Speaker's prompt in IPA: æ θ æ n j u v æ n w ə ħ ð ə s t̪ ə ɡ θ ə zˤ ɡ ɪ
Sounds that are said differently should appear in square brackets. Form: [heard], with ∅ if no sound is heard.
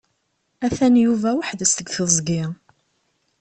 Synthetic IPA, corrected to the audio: æ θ æ n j u v æ [∅] w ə ħ ð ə s t̪ ə ɡ θ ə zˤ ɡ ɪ